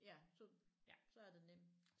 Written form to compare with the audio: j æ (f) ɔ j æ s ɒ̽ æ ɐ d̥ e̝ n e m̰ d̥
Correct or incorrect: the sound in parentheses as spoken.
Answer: incorrect: s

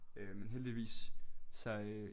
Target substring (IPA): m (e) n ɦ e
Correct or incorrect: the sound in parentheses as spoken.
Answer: correct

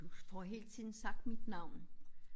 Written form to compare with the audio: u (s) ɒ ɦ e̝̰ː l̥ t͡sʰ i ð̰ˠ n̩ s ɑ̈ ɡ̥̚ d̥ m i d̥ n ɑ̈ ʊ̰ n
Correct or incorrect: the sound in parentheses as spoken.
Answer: incorrect: f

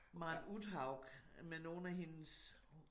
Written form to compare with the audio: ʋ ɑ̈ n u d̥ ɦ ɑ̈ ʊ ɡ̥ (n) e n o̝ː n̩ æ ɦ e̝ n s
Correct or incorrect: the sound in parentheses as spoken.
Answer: incorrect: m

